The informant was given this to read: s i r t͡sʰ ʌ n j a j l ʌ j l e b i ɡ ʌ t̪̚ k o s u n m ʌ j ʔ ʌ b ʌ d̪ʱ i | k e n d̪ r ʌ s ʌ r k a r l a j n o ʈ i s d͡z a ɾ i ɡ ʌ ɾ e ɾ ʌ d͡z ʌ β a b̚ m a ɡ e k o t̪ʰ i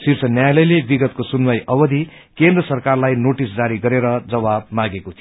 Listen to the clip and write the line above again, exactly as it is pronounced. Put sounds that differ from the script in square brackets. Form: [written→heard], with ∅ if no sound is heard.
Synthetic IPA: s i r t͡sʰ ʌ n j a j l ʌ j l e b i ɡ ʌ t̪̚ k o s u n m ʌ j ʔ ʌ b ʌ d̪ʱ i | k e n d̪ r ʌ s ʌ r k a r l a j n o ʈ i s d͡z a ɾ i ɡ ʌ ɾ e ɾ ʌ d͡z ʌ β a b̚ m a ɡ e k o t̪ʰ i